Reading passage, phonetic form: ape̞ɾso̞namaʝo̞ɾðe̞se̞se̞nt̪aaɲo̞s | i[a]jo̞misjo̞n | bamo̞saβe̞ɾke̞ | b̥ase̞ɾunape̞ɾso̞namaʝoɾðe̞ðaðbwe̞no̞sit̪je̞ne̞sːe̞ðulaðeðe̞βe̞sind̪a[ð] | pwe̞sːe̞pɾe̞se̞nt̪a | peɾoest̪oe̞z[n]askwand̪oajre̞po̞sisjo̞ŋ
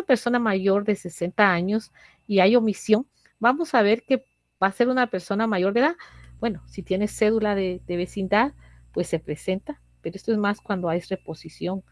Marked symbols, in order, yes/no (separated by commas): yes, yes, no